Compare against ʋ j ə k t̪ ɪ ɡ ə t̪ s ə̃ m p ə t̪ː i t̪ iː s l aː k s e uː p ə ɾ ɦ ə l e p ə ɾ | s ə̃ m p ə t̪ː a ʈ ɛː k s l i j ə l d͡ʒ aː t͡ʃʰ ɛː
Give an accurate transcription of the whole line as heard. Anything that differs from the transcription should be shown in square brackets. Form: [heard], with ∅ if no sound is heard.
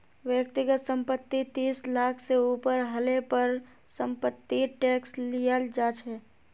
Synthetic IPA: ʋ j ə k t̪ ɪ ɡ ə t̪ s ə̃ m p ə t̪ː i t̪ iː s l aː [kʰ] s e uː p ə ɾ ɦ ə l e p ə ɾ | s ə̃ m p ə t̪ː [i] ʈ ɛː k s l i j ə l d͡ʒ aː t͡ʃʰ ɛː